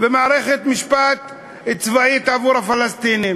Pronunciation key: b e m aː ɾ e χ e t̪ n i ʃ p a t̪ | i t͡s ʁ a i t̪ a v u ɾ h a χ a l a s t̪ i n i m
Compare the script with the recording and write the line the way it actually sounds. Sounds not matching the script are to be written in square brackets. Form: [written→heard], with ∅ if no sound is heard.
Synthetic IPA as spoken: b e m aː ɾ e χ e t̪ [n→m] i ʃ p a t̪ | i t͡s [ʁ→v] a i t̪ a v u ɾ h a [χ→f] a l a s t̪ i n i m

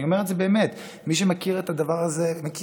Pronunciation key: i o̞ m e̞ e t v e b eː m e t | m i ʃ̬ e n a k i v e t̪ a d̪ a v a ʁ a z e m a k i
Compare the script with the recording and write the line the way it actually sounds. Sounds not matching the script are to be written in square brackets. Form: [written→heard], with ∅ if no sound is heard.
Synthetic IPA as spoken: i o̞ m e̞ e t [v→z] e b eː m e t | m i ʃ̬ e [n→m] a k i [v→ʁ] e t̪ a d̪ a v a ʁ a z e m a k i

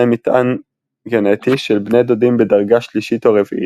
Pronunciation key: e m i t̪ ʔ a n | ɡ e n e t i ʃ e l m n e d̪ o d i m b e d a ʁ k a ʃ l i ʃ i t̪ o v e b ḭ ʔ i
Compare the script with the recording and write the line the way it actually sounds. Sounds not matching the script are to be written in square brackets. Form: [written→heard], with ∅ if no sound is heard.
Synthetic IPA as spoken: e m i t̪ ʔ a n | ɡ e n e t i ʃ e l [m→b] n e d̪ o d i m b e d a ʁ [k→ɡ] a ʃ l i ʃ i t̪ o [v→ʁ] e [b→v] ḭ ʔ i

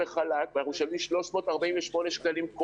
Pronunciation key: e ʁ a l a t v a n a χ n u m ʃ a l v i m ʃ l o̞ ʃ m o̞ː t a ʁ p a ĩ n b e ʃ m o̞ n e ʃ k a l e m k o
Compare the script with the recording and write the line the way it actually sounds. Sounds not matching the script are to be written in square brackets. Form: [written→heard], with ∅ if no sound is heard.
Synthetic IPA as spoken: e [ʁ→χ] a l a [t→k] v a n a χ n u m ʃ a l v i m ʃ l o̞ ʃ m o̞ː t a ʁ [p→b] a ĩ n [b→v] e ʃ m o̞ n e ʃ k a l [e→i] m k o

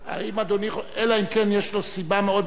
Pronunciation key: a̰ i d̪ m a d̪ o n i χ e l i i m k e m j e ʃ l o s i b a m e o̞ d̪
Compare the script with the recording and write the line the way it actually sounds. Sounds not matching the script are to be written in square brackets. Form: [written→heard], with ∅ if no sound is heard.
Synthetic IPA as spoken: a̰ i [d̪→∅] m a d̪ o n i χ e l [i→a] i m k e [m→n] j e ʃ l o s i b a m e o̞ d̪

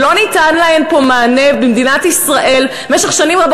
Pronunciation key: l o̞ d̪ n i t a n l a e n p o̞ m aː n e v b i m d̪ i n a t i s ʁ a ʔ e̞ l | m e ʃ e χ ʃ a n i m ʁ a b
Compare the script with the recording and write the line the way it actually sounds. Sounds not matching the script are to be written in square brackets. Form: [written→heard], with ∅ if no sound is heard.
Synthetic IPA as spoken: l o̞ [d̪→∅] n i t a n l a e n p o̞ m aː n e v b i m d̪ i n a t i s ʁ a ʔ e̞ l | m e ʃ e χ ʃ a n i m ʁ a b

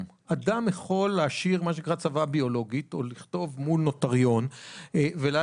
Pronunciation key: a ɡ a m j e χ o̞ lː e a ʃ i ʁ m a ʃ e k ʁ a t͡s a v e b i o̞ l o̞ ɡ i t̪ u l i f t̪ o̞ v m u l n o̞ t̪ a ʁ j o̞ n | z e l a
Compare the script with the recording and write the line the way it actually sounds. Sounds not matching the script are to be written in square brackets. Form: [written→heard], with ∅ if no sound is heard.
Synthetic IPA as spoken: a [ɡ→d] a m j e χ o̞ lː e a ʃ i ʁ m a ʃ e k ʁ a t͡s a v [e→a] b i o̞ l o̞ ɡ i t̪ [u→o] l i [f→χ] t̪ o̞ v m u l n o̞ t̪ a ʁ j o̞ n | [z→v] e l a

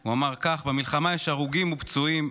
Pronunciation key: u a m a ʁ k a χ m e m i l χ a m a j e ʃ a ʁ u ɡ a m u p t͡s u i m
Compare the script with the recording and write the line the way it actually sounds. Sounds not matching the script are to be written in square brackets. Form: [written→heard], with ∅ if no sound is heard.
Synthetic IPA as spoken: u a m a ʁ k a χ [m→b] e m i l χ a m a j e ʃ a ʁ u ɡ [a→i] m u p t͡s u i m

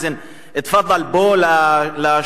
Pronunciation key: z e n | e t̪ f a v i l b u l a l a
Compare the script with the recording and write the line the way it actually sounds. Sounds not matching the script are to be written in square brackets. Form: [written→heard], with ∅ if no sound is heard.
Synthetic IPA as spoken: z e n | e t̪ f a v [i→a] l b [u→o] l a l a

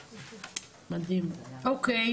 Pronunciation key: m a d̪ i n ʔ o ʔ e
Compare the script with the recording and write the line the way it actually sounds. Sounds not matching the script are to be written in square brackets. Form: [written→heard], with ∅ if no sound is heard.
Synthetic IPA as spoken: m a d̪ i [n→m] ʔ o [ʔ→k] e

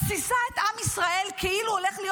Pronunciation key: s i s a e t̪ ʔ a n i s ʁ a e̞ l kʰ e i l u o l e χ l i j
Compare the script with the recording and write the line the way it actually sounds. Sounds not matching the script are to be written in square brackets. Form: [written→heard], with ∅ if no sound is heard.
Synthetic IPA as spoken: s i s a e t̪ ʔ a [n→m] i s ʁ a e̞ l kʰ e i l u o l e χ l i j

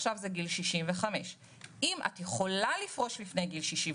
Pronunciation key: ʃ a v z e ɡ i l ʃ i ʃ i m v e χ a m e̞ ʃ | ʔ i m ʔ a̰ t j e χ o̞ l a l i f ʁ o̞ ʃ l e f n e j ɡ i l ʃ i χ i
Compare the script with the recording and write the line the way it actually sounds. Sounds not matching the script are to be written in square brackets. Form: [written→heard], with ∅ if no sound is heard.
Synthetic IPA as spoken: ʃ a v z e ɡ i l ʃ i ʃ i m v e χ a m e̞ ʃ | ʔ i m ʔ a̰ t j e χ o̞ l a l i f ʁ o̞ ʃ l [e→i] f n e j ɡ i l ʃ i [χ→ʃ] i

